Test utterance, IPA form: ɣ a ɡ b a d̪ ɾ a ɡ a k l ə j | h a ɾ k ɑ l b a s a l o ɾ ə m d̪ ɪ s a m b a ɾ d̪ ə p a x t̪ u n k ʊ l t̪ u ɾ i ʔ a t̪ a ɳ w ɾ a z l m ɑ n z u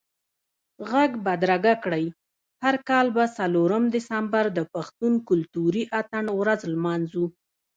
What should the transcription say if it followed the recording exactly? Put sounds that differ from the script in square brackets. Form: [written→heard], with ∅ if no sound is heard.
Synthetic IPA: ɣ a ɡ b a d̪ ɾ a ɡ a k [l→ɽ] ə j | h a ɾ k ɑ l b a s a l o ɾ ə m d̪ ɪ s a m b a ɾ d̪ ə p a x t̪ u n k ʊ l t̪ u ɾ i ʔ a t̪ a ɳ w ɾ a z l m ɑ n z u

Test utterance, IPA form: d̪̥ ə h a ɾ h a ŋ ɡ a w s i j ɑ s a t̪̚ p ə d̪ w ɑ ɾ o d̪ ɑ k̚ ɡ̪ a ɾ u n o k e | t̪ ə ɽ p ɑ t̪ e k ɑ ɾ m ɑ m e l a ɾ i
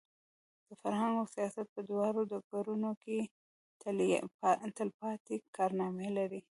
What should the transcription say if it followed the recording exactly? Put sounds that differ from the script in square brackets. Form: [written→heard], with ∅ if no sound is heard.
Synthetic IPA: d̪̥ ə [h→f] a ɾ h a ŋ ɡ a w s i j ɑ s a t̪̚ p ə d̪ w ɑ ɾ o d̪ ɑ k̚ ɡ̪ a ɾ u n o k e | t̪ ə [ɽ→l] p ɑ t̪ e k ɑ ɾ [m→n] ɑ m e l a ɾ i

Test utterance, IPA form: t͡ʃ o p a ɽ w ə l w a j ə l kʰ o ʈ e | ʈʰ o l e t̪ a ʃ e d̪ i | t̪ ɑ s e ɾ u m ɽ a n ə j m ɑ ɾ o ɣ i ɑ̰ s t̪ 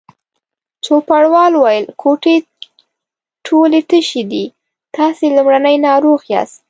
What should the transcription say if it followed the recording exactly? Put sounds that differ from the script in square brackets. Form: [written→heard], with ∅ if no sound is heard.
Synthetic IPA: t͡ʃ o p a ɽ w [ə→ɑ] l w a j ə l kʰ o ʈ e | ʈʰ o l e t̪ [a→ə] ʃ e d̪ i | t̪ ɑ s e [ɾ→l] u m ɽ a n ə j [m→n] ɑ ɾ o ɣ [i→j] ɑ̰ s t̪

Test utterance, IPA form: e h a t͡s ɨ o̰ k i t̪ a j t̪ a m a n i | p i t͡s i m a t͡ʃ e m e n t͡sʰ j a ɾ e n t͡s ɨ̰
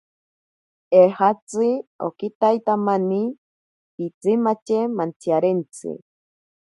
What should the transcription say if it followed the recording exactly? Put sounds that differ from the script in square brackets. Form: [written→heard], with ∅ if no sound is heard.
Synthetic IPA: e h a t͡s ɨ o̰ k i t̪ a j t̪ a m a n i | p i t͡s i m a t͡ʃ e m [e→a] n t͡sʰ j a ɾ e n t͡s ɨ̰

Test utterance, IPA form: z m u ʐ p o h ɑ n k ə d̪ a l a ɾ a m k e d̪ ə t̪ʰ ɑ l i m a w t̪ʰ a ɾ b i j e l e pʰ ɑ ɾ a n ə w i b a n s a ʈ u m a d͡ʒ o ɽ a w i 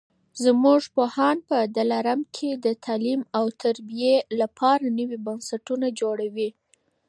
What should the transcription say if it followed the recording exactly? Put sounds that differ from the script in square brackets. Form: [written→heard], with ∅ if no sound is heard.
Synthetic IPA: z m u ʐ p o h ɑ n [k→p] ə d̪ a l a ɾ a m [k→kʰ] e d̪ ə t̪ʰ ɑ l i m a w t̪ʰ a ɾ b i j e l [e→a] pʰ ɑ ɾ a n ə w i b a n s a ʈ u [m→n] a d͡ʒ o ɽ a w i

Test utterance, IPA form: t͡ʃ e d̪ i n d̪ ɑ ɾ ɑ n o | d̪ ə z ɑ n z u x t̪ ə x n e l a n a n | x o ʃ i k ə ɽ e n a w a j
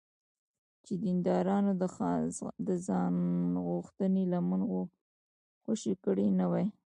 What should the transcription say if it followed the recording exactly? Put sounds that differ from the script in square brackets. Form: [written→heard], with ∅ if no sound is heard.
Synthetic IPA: t͡ʃ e d̪ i n d̪ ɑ ɾ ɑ n o | d̪ ə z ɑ n [z→ɣ] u x t̪ ə [x→∅] n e l a [n→m] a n | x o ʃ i k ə ɽ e n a w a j

